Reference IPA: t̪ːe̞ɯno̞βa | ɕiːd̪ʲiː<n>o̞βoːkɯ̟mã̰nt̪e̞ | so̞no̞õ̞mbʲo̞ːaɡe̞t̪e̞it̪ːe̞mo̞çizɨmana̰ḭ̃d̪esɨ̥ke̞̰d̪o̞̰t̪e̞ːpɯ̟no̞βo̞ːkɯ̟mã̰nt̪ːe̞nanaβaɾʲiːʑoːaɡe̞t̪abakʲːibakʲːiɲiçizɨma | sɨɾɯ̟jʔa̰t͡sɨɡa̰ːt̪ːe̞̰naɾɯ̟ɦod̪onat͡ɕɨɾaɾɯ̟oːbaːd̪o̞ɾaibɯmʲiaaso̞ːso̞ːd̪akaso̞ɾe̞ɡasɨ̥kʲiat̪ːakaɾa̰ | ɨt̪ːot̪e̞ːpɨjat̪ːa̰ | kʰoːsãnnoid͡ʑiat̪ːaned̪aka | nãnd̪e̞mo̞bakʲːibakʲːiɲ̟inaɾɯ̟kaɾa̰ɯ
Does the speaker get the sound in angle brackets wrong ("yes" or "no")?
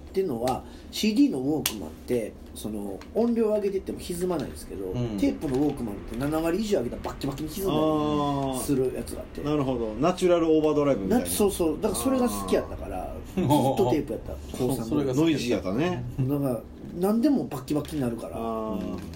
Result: no